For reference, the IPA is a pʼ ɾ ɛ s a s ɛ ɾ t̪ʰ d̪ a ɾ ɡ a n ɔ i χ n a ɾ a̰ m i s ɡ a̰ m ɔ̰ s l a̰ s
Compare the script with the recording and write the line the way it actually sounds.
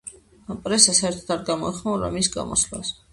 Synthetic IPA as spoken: a pʼ ɾ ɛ s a s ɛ ɾ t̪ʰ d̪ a ɾ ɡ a m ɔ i χ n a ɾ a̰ m i s ɡ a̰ m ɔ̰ s l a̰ s